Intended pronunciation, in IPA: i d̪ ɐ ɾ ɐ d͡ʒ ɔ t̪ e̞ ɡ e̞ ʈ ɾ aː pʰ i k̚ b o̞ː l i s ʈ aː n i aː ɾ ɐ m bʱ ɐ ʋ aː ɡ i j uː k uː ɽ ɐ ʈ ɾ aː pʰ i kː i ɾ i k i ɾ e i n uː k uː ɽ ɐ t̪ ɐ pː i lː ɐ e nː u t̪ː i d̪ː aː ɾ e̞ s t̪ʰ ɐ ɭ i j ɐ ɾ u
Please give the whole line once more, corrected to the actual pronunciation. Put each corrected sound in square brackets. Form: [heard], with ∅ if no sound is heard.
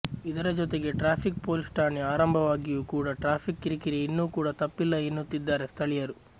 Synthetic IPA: i d̪ ɐ ɾ ɐ d͡ʒ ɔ t̪ e̞ ɡ e̞ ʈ ɾ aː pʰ i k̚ [p] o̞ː l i s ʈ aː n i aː ɾ ɐ m bʱ ɐ ʋ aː ɡ i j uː k uː ɽ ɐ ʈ ɾ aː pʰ i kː i ɾ i k i ɾ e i [nː] uː k uː ɽ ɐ t̪ ɐ pː i lː ɐ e nː u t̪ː i d̪ː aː ɾ e̞ s t̪ʰ ɐ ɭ i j ɐ ɾ u

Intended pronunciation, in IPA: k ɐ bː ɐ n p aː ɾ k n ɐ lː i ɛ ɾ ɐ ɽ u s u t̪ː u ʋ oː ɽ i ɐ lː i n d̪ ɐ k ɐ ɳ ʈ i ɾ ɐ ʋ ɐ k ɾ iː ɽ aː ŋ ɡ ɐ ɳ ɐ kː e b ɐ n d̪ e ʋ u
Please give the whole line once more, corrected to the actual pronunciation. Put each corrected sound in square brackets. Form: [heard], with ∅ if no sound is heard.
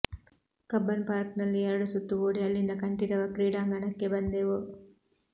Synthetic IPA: k ɐ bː ɐ n p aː ɾ k n ɐ lː i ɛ ɾ ɐ ɽ u s u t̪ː u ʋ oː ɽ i ɐ lː i n d̪ ɐ k ɐ ɳ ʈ i ɾ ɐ ʋ ɐ k ɾ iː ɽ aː ŋ ɡ ɐ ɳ ɐ kː e b ɐ n d̪ e ʋ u

